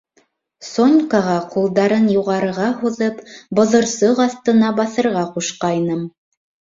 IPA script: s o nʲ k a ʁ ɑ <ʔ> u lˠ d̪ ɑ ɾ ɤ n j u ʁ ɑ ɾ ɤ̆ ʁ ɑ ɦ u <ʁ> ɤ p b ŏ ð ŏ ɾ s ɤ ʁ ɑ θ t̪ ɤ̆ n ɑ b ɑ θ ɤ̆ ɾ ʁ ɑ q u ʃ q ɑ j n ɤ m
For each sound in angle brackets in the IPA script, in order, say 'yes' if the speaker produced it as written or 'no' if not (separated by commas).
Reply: no, no